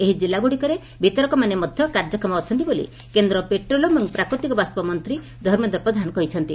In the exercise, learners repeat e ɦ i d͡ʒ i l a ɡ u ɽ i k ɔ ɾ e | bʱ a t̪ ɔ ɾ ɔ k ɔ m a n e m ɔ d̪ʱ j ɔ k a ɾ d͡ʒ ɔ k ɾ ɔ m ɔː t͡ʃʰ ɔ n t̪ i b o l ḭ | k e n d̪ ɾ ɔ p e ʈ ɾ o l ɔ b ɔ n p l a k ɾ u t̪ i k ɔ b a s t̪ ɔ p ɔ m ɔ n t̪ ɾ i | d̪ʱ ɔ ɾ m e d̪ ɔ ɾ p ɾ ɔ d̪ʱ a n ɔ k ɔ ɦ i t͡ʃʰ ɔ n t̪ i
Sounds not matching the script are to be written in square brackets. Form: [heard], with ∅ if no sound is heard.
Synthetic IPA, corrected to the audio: e ɦ i d͡ʒ i l a ɡ u ɽ i k ɔ ɾ e | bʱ [i] t̪ ɔ ɾ ɔ k ɔ m a n e m ɔ d̪ʱ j ɔ k a ɾ d͡ʒ ɔ k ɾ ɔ m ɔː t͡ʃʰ ɔ n t̪ i b o l ḭ | k e n d̪ ɾ ɔ p e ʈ ɾ o l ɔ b ɔ [ŋ] p [ɾ] a k ɾ u t̪ i k ɔ b a s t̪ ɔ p ɔ m ɔ n t̪ ɾ i | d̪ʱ ɔ ɾ m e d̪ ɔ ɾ p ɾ ɔ d̪ʱ a n ɔ k ɔ ɦ i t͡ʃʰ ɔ n t̪ i

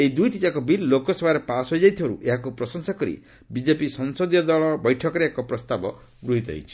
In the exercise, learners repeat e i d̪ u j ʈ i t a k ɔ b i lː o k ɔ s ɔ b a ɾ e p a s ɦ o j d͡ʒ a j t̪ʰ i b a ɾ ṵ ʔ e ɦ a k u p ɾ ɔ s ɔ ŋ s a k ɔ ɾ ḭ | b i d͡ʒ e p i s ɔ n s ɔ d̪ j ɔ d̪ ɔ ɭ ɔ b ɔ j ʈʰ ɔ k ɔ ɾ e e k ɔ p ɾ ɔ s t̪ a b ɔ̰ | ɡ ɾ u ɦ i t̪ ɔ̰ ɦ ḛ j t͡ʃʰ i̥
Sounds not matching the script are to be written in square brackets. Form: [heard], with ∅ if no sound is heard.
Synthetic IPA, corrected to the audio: e i d̪ u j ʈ i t a k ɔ b i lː o k ɔ s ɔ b a ɾ e p a s ɦ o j d͡ʒ a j t̪ʰ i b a ɾ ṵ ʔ e ɦ a k u p ɾ ɔ s ɔ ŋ s a k ɔ ɾ ḭ | b i d͡ʒ e p i s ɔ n s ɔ d̪ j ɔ d̪ ɔ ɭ ɔ b ɔ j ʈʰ ɔ k ɔ ɾ e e k ɔ p ɾ ɔ s t̪ a b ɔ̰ | ɡ ɾ u ɦ i t̪ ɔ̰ ɦ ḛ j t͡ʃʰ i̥

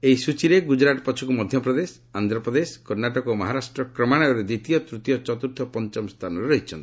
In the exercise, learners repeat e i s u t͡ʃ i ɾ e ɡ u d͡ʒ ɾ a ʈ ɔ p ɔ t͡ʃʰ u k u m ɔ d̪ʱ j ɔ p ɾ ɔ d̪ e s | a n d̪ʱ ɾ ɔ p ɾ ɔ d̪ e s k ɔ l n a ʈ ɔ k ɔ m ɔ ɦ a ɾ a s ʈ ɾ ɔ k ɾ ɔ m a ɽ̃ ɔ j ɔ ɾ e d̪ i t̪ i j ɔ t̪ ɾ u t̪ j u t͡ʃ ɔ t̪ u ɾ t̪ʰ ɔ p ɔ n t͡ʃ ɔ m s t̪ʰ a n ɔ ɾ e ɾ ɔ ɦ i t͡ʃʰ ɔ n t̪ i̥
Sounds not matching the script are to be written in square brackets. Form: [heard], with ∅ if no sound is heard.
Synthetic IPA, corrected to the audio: e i s u t͡ʃ i ɾ e ɡ u d͡ʒ ɾ a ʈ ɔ p ɔ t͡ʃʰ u k u m ɔ d̪ʱ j ɔ p ɾ ɔ d̪ e s | a n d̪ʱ ɾ ɔ p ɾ ɔ d̪ e s k ɔ [ɾ] n a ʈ ɔ k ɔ m ɔ ɦ a ɾ a s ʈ ɾ ɔ k ɾ ɔ m a ɽ̃ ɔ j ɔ ɾ e d̪ i t̪ i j ɔ t̪ ɾ u t̪ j [ɔ] t͡ʃ ɔ t̪ u ɾ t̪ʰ ɔ p ɔ n t͡ʃ ɔ m s t̪ʰ a n ɔ ɾ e ɾ ɔ ɦ i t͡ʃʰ ɔ n t̪ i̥

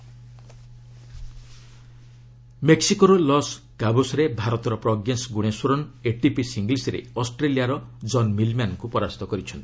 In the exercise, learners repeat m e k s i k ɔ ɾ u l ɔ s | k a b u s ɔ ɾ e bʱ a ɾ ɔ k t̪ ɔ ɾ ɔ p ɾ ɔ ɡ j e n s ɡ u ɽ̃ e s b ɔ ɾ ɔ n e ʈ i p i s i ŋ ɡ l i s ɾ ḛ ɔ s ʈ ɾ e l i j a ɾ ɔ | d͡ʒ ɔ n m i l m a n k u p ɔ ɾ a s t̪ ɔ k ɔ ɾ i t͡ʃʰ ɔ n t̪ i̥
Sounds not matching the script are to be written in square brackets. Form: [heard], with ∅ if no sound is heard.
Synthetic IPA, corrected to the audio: m e k s i k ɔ ɾ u l ɔ s | k a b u s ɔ ɾ e bʱ a ɾ ɔ [∅] t̪ ɔ ɾ ɔ p ɾ ɔ ɡ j e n s ɡ u ɽ̃ e s [w] ɔ ɾ ɔ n e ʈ i p i s i ŋ ɡ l i s ɾ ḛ ɔ s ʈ ɾ e l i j a ɾ ɔ | d͡ʒ ɔ n m i l m a n k u p ɔ ɾ a s t̪ ɔ k ɔ ɾ i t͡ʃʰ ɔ n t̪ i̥

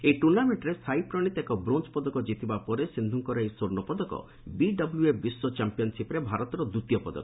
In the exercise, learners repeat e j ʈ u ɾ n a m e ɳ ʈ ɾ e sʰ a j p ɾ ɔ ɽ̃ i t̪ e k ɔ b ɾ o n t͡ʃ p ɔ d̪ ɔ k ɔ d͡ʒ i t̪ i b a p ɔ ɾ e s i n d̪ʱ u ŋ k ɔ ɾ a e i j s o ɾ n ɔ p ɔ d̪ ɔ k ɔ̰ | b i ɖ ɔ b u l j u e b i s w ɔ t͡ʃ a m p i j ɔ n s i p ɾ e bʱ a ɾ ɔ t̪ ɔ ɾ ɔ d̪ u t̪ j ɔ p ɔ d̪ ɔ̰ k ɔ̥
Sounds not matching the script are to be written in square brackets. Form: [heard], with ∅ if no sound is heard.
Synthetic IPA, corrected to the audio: e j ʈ u ɾ n a m e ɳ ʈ ɾ e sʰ a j p ɾ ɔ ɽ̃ i t̪ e k ɔ b ɾ o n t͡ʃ p ɔ d̪ ɔ k ɔ d͡ʒ i t̪ i b a p ɔ ɾ e s i n d̪ʱ u ŋ k ɔ ɾ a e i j s o ɾ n ɔ p ɔ d̪ ɔ k ɔ̰ | b i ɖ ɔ b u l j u e b i s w ɔ t͡ʃ a m p i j ɔ n s i p ɾ e bʱ a ɾ ɔ t̪ ɔ ɾ ɔ d̪ u t̪ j ɔ p ɔ d̪ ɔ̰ k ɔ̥

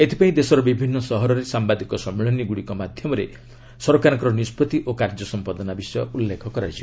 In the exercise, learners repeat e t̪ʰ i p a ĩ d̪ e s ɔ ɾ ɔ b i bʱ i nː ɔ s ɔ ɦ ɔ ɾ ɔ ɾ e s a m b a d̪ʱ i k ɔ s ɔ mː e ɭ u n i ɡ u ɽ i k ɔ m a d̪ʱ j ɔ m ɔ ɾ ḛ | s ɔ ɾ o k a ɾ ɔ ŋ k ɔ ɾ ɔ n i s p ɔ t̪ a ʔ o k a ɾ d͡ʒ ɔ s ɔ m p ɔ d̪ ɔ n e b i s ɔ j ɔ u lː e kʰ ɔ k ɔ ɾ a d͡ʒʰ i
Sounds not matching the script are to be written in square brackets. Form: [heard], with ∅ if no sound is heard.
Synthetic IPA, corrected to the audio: e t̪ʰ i p a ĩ d̪ e s ɔ ɾ ɔ b i bʱ i nː ɔ s ɔ ɦ ɔ ɾ ɔ ɾ e s a m b a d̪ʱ i k ɔ s ɔ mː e ɭ [ɔ] n i ɡ u ɽ i k ɔ m a d̪ʱ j ɔ m ɔ ɾ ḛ | s ɔ ɾ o k a ɾ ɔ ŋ k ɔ ɾ ɔ n i s p ɔ t̪ [i] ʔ o k a ɾ d͡ʒ ɔ s ɔ m p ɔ d̪ ɔ n [a] b i s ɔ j ɔ u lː e kʰ ɔ k ɔ ɾ a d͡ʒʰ i

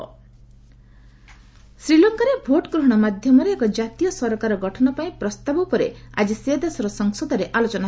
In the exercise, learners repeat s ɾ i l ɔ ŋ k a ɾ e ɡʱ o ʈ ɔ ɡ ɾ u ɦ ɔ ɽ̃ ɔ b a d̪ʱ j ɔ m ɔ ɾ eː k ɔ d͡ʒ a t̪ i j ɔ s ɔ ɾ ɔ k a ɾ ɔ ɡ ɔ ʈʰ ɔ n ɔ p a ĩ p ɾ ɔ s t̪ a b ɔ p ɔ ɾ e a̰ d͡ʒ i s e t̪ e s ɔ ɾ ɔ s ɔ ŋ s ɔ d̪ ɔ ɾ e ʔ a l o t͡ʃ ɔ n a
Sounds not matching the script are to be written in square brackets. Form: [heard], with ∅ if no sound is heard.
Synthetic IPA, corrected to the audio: s ɾ i l ɔ ŋ k a ɾ e [bʱ] o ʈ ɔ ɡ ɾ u ɦ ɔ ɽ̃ ɔ [m] a d̪ʱ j ɔ m ɔ ɾ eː k ɔ d͡ʒ a t̪ i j ɔ s ɔ ɾ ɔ k a ɾ ɔ ɡ ɔ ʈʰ ɔ n ɔ p a ĩ p ɾ ɔ s t̪ a b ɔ p ɔ ɾ e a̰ d͡ʒ i s e [d̪] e s ɔ ɾ ɔ s ɔ ŋ s ɔ d̪ ɔ ɾ e ʔ a l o t͡ʃ ɔ n a

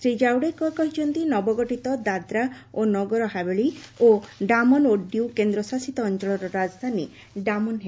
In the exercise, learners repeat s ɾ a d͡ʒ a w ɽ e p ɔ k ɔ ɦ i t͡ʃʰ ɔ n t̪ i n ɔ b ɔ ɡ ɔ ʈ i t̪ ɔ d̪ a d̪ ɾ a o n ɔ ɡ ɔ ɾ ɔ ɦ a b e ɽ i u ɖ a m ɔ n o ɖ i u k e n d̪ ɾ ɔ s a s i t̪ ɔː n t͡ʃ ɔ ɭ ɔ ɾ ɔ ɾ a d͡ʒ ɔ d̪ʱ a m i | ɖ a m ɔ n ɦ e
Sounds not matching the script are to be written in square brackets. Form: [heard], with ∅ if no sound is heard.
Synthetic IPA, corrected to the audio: s ɾ [i] d͡ʒ a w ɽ e [k] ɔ k ɔ ɦ i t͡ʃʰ ɔ n t̪ i n ɔ b ɔ ɡ ɔ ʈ i t̪ ɔ d̪ a d̪ ɾ a o n ɔ ɡ ɔ ɾ ɔ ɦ a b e [ɭ] i [o] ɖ a m ɔ n o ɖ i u k e n d̪ ɾ ɔ s a s i t̪ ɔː n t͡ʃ ɔ ɭ ɔ ɾ ɔ ɾ a d͡ʒ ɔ d̪ʱ a [n] i | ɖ a m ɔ n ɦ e

